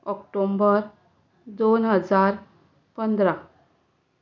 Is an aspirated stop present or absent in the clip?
absent